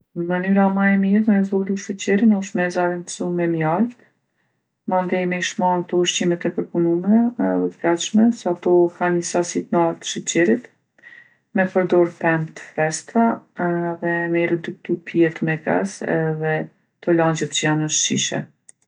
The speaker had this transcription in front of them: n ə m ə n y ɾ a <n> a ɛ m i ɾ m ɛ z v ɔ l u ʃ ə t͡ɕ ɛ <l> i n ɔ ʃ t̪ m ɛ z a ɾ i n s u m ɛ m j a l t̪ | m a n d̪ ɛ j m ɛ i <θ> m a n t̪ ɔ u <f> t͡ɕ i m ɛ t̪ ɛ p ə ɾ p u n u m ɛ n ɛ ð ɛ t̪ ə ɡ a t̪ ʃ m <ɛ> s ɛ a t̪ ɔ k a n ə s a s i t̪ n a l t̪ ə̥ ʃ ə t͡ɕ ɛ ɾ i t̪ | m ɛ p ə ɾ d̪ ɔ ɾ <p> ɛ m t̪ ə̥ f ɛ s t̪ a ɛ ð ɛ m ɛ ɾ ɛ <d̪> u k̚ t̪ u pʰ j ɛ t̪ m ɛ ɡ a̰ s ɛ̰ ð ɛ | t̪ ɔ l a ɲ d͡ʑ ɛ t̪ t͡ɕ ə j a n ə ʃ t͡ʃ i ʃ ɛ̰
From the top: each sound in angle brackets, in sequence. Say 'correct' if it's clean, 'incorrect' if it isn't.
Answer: incorrect: m, incorrect: ɾ, incorrect: ʃ, incorrect: ʃ, correct, correct, correct

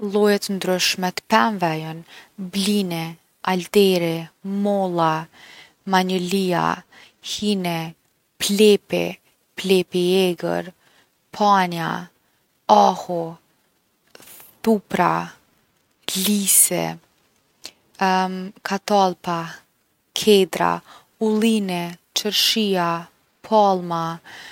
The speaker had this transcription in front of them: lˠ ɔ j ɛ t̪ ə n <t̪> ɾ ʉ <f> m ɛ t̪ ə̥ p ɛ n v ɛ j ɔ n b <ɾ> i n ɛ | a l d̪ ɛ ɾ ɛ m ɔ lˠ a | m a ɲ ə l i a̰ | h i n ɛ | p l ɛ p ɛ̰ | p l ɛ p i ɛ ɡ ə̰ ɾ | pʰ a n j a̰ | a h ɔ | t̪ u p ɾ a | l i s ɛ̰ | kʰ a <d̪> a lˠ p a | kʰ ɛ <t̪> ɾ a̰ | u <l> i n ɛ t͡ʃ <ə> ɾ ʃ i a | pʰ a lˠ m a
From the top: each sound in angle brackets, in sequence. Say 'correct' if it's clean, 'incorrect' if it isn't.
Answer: incorrect: d̪, incorrect: ʃ, incorrect: l, incorrect: t̪, incorrect: d̪, correct, correct

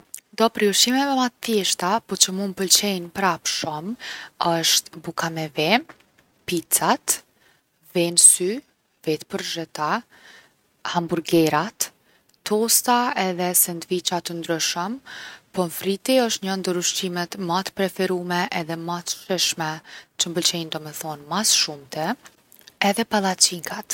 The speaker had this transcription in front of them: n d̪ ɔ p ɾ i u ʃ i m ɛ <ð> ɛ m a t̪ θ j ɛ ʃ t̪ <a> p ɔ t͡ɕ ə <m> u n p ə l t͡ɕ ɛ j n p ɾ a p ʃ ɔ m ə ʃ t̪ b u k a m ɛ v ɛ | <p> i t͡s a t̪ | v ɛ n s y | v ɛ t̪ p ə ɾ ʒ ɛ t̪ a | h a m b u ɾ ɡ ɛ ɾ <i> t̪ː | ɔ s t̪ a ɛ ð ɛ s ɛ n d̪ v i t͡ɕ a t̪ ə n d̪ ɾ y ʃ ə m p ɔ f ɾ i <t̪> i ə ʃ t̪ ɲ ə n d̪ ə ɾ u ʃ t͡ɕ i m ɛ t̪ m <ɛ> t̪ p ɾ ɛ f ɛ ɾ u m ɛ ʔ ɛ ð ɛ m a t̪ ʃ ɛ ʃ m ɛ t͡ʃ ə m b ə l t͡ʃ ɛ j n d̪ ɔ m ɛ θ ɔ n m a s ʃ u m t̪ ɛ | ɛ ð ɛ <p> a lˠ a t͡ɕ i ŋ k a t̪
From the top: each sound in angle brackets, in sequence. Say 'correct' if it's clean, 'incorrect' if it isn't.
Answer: incorrect: v, correct, correct, correct, incorrect: a, correct, incorrect: a, correct

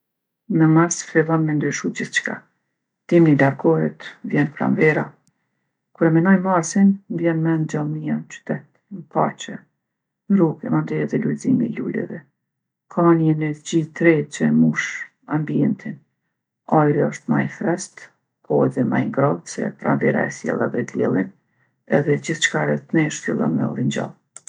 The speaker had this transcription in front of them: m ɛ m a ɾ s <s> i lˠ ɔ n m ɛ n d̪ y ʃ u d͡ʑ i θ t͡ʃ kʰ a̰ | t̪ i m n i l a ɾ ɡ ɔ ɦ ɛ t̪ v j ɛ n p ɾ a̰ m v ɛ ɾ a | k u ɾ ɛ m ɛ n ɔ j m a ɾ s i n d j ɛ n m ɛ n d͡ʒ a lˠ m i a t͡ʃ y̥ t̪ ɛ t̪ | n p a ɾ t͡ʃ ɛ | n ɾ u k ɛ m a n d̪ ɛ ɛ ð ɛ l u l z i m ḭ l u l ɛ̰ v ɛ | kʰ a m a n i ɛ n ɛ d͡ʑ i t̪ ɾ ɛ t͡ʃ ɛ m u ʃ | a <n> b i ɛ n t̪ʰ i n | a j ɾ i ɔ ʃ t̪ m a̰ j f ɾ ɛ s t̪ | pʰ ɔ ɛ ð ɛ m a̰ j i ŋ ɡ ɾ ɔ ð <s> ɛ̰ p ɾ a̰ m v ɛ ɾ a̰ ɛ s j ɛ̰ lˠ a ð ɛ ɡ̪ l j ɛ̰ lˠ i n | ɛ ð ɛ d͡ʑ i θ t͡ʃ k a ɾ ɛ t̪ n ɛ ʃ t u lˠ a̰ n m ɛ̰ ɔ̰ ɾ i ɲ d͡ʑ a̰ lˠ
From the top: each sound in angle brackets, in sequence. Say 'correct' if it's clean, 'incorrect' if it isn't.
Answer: incorrect: f, incorrect: m, correct

